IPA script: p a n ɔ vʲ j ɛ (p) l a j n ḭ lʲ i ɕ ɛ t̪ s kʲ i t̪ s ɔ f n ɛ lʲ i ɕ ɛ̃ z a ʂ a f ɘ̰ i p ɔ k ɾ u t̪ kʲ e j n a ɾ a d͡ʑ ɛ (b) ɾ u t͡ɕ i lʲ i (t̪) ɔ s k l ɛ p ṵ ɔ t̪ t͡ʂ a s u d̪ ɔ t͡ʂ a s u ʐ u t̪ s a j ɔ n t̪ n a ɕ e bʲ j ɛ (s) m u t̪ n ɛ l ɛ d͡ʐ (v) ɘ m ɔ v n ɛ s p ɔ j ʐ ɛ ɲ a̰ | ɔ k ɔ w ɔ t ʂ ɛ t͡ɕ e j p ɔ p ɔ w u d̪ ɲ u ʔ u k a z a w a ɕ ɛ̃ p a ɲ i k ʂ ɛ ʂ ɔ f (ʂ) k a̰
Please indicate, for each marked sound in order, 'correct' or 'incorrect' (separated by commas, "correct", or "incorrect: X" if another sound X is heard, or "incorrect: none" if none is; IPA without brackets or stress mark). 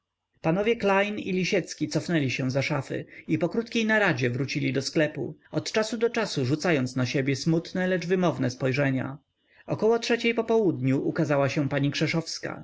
incorrect: k, incorrect: v, incorrect: d̪, correct, correct, incorrect: s